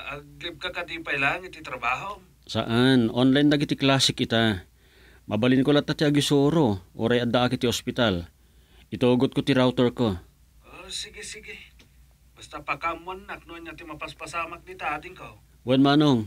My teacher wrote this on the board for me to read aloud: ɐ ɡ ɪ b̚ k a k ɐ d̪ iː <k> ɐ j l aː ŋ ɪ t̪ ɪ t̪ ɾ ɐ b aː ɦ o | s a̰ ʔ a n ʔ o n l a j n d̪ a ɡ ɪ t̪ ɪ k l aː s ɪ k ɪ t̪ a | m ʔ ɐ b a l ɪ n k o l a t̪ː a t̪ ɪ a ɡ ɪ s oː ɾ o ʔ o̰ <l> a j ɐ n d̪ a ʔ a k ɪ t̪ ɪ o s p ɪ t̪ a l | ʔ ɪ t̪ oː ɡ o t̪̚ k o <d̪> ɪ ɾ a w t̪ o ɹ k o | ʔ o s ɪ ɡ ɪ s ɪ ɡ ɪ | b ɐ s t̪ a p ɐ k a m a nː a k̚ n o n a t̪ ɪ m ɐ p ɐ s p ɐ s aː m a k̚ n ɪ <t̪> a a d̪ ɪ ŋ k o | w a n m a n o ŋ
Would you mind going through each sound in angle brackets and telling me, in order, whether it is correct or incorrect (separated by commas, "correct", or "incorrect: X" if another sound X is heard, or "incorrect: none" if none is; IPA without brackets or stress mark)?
incorrect: p, incorrect: ɾ, incorrect: t̪, correct